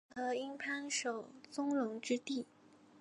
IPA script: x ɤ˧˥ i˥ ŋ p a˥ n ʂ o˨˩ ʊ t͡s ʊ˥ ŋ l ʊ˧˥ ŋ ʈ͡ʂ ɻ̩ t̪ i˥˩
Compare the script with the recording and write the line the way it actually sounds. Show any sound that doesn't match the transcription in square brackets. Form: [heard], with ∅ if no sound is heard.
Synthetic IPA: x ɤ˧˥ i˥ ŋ [pʰ] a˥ n ʂ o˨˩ ʊ t͡s ʊ˥ ŋ l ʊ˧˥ ŋ ʈ͡ʂ ɻ̩ t̪ i˥˩